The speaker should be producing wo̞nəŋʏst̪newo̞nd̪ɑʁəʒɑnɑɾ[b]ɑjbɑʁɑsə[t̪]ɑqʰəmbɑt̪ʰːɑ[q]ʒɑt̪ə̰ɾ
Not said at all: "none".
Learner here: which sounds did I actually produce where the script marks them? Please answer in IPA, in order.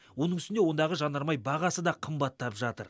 m, d̪, p

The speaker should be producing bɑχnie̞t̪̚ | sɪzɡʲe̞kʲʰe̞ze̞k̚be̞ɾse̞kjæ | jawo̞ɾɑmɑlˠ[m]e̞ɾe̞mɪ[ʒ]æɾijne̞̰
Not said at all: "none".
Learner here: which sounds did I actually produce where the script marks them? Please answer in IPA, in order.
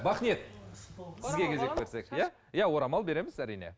b, z

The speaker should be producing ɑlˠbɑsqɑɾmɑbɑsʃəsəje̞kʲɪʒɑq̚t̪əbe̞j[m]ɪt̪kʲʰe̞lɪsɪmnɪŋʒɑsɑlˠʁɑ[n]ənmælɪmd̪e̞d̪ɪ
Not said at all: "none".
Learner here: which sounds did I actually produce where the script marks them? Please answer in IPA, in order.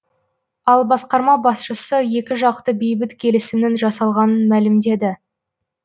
b, n

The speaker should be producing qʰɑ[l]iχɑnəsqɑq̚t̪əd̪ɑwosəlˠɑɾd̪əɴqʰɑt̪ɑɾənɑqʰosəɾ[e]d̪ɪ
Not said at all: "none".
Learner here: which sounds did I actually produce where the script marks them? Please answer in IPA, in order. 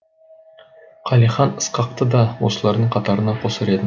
l, e

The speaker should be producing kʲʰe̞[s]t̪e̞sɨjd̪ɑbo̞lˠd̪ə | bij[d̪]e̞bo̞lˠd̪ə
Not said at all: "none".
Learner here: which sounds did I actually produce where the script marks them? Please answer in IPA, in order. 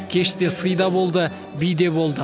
ʃ, d̪

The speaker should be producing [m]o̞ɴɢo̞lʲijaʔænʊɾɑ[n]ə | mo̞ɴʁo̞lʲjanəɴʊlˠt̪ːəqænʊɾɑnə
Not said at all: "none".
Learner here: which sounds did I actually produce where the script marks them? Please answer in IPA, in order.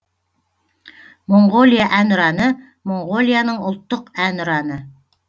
m, n

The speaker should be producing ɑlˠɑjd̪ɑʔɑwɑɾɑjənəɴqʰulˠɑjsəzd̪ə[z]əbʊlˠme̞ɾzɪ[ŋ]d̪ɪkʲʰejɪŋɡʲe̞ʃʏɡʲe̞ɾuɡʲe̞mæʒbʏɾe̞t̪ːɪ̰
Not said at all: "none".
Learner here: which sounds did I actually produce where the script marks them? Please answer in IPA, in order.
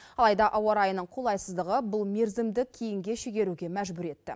ʁ, m

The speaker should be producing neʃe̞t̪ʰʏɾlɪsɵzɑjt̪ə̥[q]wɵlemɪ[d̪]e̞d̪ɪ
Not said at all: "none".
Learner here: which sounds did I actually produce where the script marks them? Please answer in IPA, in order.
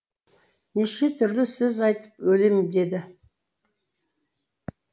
p, d̪

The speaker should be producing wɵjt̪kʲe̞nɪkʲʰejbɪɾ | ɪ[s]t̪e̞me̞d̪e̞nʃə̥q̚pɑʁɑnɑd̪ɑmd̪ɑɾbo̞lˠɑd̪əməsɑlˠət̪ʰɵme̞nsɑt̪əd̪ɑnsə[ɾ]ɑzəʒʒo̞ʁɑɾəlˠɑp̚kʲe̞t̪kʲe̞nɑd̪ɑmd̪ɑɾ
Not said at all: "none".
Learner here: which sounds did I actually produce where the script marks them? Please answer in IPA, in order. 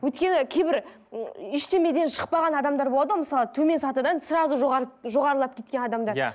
ʃ, ɾ

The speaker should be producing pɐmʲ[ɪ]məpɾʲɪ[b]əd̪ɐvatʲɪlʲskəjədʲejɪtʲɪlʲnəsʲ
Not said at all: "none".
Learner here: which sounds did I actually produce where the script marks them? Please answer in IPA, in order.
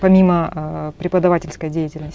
i, p

